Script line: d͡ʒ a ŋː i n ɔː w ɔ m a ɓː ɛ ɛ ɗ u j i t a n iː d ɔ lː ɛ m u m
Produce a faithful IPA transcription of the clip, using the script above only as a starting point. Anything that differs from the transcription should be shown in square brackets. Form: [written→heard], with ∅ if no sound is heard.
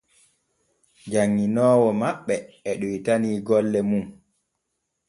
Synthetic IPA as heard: d͡ʒ a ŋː i n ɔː w ɔ m a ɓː ɛ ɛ ɗ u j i t a n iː [d→ɡ] ɔ lː ɛ m u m